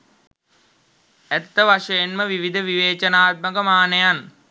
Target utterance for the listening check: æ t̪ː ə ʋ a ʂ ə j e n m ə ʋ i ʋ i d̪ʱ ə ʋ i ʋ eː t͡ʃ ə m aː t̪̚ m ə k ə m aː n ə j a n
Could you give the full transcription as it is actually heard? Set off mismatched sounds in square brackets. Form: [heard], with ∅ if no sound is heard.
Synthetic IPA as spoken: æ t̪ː ə ʋ a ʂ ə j e n m ə ʋ i ʋ i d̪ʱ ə ʋ i ʋ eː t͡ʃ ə [n] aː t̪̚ m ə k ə m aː n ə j a n